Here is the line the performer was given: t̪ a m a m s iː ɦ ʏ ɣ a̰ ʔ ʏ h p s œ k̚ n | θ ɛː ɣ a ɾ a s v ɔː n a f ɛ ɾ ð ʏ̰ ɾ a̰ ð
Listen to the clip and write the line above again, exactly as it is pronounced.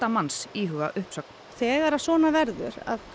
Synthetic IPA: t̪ a m a n s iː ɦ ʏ ɣ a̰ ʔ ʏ h p s œ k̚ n | θ ɛː ɣ a ɾ a s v ɔː n a v ɛ ɾ ð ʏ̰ ɾ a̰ ð